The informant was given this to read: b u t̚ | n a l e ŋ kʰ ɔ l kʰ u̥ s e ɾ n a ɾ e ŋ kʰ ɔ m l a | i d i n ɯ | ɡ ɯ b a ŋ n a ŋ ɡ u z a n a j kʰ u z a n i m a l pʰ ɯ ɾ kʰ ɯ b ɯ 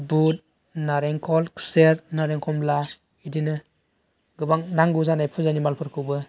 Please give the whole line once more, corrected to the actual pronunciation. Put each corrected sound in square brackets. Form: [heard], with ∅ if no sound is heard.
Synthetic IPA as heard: b u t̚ | n a [ɾ] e ŋ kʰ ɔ l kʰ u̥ s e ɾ n a ɾ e ŋ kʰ ɔ m l a | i d i n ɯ | ɡ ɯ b a ŋ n a ŋ ɡ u z a n a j [pʰ] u z a n i m a l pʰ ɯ ɾ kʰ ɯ b ɯ